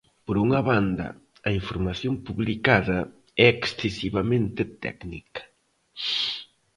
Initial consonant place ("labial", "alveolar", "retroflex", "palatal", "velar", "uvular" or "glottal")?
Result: labial